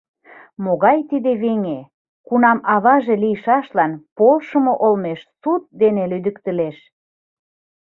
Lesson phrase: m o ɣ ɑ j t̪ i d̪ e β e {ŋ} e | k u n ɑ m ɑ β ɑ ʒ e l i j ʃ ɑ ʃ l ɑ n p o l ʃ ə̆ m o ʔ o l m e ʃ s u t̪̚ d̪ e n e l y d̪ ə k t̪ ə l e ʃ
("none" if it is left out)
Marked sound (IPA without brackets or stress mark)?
ŋ